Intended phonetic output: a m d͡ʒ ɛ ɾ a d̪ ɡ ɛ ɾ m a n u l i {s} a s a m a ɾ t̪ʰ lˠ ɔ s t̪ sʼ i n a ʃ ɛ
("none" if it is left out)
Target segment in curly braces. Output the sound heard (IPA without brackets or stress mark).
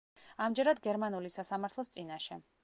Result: s